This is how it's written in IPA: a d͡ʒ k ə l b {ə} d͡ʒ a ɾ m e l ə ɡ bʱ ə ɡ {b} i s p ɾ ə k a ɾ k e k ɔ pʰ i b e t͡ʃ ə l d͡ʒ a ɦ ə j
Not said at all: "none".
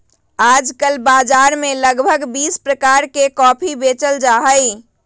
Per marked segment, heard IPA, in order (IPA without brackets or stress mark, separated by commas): a, b